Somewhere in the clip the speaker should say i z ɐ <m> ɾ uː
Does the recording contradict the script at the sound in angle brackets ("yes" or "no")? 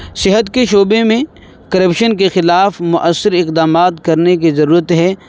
yes